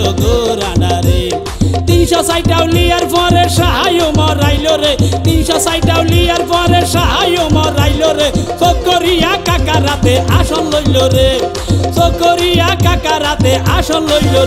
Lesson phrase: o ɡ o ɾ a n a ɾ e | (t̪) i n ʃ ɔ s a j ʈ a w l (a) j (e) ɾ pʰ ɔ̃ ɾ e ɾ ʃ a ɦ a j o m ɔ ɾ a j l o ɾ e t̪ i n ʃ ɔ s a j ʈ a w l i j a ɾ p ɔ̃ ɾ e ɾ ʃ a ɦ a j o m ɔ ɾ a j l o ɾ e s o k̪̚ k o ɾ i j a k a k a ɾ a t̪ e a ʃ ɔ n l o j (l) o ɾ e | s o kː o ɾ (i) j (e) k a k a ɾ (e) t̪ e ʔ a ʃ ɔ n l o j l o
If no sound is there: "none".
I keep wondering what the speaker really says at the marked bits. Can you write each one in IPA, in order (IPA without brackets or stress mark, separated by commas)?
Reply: t̪, i, a, l, i, a, a